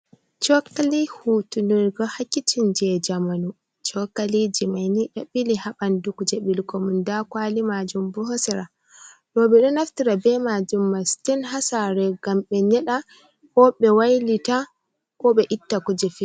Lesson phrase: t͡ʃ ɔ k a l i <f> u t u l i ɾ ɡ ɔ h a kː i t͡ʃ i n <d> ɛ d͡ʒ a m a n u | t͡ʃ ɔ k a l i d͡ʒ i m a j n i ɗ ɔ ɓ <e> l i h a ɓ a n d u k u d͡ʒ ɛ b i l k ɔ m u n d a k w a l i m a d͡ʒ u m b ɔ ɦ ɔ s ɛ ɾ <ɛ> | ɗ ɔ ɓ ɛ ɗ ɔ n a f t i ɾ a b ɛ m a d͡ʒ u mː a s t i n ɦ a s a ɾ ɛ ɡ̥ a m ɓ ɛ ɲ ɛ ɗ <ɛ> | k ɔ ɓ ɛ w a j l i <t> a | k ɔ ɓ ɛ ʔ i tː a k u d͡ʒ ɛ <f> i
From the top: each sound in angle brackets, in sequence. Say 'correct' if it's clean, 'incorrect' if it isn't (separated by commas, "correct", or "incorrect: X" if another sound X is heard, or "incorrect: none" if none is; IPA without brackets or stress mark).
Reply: incorrect: h, incorrect: d͡ʒ, incorrect: i, incorrect: a, incorrect: a, correct, correct